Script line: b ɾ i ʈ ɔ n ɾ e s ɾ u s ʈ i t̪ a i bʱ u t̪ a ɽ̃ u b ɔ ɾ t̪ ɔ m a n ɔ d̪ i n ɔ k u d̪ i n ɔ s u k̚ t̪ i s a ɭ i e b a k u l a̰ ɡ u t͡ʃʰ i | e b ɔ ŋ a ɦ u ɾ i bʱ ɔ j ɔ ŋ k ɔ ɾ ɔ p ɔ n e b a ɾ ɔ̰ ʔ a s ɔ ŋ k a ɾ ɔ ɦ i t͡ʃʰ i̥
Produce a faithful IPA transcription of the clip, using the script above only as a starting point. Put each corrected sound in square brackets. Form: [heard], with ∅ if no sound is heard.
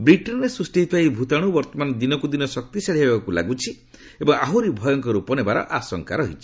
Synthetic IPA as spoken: b ɾ i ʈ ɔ n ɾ e s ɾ u s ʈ i t̪ a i bʱ u t̪ a ɽ̃ u b ɔ ɾ t̪ ɔ m a n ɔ d̪ i n ɔ k u d̪ i n ɔ s [ɔ] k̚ t̪ i s a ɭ i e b a k u l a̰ ɡ u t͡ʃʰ i | e b ɔ ŋ a ɦ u ɾ i bʱ ɔ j ɔ ŋ k ɔ ɾ [u] p ɔ n e b a ɾ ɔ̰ ʔ a s ɔ ŋ k a ɾ ɔ ɦ i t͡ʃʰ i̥